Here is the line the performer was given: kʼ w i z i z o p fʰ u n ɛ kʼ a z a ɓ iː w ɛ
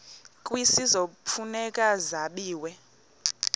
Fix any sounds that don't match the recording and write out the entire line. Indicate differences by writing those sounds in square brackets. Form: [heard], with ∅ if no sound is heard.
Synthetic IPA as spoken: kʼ w i [s] i z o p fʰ u n ɛ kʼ a z a ɓ iː w ɛ